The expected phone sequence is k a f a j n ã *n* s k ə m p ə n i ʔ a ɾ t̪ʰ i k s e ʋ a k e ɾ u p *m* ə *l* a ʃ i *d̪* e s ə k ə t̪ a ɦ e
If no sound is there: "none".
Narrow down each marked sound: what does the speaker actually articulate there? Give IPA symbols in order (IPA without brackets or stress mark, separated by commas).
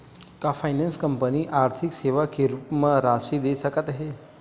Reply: n, m, ɾ, d̪